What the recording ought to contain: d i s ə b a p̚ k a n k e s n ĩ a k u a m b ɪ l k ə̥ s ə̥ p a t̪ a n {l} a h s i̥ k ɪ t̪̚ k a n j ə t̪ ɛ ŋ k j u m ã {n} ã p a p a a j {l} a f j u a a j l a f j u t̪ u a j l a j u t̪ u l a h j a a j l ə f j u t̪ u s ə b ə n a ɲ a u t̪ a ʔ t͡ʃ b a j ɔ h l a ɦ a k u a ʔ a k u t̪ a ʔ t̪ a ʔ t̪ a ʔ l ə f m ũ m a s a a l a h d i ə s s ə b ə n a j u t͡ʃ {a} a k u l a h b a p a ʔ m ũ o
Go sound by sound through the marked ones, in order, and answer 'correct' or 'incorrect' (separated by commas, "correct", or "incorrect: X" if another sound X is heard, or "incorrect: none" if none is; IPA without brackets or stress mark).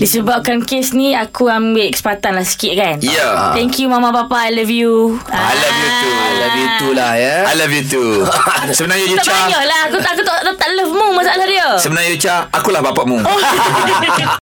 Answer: correct, incorrect: m, correct, correct